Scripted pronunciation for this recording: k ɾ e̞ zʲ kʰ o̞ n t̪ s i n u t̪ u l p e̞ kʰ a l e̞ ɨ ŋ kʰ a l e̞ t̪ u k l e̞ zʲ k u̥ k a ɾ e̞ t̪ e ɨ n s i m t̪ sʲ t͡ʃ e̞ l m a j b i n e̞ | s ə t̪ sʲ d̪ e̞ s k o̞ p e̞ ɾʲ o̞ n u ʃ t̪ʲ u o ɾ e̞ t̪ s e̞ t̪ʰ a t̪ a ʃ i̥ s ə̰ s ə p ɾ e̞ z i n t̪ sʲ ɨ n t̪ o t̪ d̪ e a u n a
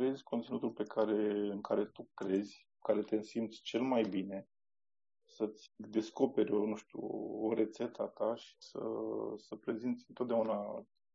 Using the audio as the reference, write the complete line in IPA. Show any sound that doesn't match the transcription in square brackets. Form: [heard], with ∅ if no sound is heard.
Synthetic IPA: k ɾ e̞ zʲ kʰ o̞ n t̪ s i n u t̪ u l p e̞ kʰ a [ɾ] e̞ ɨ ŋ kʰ a [ɾ] e̞ t̪ u k [ɾ] e̞ zʲ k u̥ k a ɾ e̞ t̪ e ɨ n s i m t̪ sʲ t͡ʃ e̞ l m a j b i n e̞ | s ə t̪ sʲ d̪ e̞ s k o̞ p e̞ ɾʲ o̞ n u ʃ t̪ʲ u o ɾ e̞ t̪ s e̞ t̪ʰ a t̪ a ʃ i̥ s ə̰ s ə p ɾ e̞ z i n t̪ sʲ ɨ n t̪ o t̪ d̪ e a u n a